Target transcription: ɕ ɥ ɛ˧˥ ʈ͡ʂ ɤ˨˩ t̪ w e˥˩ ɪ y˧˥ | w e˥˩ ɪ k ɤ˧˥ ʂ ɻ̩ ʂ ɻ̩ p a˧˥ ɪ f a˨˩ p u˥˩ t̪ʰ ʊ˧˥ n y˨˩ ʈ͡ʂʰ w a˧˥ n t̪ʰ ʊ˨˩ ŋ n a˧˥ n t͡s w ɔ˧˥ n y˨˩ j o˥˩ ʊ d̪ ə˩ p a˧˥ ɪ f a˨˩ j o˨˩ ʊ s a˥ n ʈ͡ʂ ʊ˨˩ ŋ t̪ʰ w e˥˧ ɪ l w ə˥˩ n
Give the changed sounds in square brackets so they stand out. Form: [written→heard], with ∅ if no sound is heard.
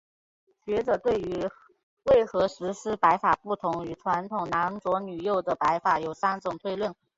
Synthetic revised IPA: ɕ ɥ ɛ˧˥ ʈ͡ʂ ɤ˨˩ t̪ w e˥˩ ɪ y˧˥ | w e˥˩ ɪ [k→x] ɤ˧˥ ʂ ɻ̩ ʂ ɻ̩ p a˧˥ ɪ f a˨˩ p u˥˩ t̪ʰ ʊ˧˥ [n→ŋ] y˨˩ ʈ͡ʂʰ w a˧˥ n t̪ʰ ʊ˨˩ ŋ n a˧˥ n t͡s w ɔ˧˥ n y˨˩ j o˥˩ ʊ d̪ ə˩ p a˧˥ ɪ f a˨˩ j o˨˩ ʊ s a˥ n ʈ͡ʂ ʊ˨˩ ŋ t̪ʰ w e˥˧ ɪ l w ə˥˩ n